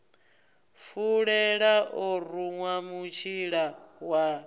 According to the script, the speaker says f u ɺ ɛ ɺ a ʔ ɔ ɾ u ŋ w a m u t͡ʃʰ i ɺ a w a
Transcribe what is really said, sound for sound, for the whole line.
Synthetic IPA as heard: f u ɺ ɛ ɺ a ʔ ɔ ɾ u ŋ w a m u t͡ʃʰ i ɺ a w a